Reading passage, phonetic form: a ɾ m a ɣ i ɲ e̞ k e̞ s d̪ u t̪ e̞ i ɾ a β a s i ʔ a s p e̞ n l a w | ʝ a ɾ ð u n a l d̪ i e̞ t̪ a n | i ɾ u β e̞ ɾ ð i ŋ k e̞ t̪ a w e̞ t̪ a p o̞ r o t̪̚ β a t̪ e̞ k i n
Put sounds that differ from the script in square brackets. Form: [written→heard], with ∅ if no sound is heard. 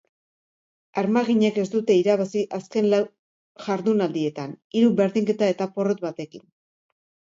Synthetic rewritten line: a ɾ m a ɣ i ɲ e̞ k e̞ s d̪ u t̪ e̞ i ɾ a β a s i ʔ a s [p→k] e̞ n l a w | ʝ a ɾ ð u n a l d̪ i e̞ t̪ a n | i ɾ u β e̞ ɾ ð i ŋ k e̞ t̪ a [w→∅] e̞ t̪ a p o̞ r o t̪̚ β a t̪ e̞ k i n